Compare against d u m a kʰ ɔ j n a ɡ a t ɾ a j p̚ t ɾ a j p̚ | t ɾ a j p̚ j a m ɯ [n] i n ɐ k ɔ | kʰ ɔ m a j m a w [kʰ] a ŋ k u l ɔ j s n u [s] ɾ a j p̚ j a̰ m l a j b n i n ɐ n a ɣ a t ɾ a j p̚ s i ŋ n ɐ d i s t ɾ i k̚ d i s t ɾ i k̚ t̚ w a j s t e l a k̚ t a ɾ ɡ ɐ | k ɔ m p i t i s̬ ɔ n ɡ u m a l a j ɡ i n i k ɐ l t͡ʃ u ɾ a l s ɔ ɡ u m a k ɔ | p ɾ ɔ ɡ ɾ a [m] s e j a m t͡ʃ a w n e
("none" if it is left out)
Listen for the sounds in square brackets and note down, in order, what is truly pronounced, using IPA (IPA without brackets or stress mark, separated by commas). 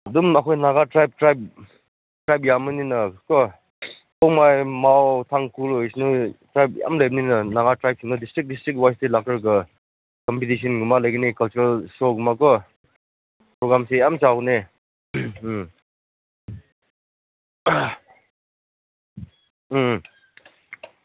n, tʰ, t, m